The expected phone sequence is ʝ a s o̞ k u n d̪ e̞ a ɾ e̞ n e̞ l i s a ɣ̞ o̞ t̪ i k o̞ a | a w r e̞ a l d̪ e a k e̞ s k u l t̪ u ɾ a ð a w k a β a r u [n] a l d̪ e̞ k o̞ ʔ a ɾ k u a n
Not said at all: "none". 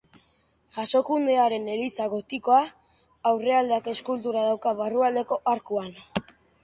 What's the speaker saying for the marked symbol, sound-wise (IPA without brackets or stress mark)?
none